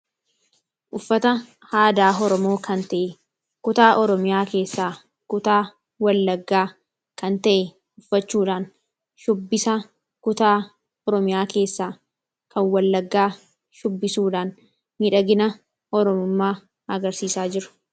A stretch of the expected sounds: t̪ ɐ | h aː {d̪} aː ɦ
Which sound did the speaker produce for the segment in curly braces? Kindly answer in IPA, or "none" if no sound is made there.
d̪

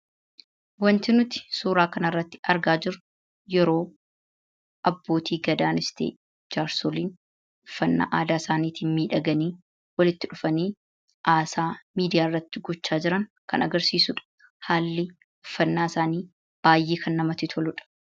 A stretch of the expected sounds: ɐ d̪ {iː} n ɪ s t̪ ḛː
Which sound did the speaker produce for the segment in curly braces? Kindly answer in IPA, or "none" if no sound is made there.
aː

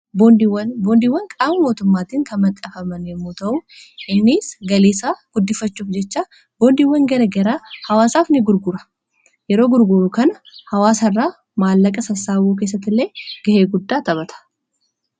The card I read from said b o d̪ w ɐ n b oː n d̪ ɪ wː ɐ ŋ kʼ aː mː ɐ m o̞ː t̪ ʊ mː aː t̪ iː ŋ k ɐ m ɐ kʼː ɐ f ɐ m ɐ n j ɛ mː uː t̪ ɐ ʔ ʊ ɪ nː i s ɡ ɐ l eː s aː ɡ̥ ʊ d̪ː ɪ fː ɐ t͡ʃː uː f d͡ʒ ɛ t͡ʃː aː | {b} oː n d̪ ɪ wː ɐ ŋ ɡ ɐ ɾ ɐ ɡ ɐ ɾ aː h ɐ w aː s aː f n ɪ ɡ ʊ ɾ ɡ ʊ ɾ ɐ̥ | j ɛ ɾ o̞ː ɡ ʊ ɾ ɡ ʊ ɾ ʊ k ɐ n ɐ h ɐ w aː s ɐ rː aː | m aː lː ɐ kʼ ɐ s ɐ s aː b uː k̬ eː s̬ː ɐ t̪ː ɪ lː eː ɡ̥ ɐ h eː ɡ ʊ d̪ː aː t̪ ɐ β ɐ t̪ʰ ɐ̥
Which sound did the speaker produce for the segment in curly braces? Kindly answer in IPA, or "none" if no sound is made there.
b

